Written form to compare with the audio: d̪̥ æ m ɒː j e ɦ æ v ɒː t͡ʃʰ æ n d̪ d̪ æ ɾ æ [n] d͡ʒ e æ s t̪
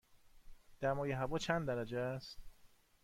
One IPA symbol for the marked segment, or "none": none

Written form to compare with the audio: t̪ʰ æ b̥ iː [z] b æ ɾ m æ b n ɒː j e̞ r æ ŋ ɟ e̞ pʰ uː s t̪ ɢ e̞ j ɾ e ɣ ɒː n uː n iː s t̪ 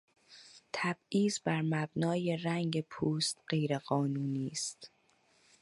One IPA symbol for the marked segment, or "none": z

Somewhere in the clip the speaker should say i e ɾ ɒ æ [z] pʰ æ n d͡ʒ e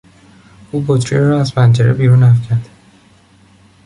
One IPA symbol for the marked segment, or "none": z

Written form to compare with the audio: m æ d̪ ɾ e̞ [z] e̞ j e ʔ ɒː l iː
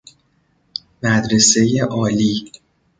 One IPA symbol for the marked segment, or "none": s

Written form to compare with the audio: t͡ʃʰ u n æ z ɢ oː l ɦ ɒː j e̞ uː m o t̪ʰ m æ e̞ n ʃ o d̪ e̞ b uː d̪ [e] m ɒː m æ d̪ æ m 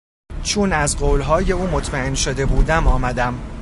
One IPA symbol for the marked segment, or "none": æ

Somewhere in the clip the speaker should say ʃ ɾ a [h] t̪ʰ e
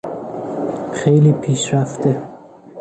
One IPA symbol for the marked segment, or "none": f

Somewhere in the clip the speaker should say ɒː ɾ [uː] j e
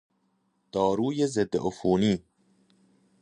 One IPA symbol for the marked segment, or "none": uː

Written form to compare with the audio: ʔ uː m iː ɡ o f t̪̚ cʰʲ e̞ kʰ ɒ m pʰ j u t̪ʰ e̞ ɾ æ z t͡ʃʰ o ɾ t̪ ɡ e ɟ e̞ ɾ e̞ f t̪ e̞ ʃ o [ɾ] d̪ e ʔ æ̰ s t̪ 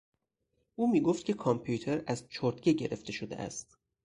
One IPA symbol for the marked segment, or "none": none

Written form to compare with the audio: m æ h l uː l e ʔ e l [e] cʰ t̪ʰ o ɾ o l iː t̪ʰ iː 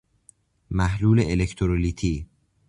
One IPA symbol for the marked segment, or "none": e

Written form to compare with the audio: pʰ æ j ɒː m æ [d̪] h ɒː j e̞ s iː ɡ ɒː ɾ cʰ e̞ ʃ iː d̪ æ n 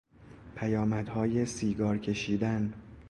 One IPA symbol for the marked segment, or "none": d̪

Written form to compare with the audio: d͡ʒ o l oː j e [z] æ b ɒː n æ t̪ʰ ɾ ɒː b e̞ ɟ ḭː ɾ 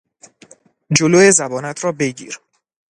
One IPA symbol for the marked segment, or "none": z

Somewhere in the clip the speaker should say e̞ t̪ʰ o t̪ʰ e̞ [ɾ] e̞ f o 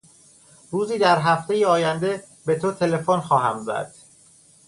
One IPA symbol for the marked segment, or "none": l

